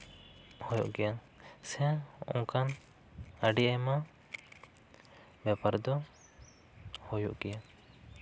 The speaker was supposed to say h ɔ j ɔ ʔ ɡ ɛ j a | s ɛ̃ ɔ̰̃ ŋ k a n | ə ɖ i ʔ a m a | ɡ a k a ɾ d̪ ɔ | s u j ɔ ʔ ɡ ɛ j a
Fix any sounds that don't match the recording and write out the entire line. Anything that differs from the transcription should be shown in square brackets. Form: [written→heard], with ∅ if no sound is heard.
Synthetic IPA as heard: h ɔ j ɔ ʔ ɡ ɛ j a | s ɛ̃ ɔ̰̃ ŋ k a n | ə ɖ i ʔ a m a | [ɡ→b] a [k→p] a ɾ d̪ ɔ | [s→h] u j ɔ ʔ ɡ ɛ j a